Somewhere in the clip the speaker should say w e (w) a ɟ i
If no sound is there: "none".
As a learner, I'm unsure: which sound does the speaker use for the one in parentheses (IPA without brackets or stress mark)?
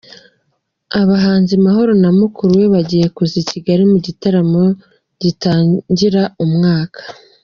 β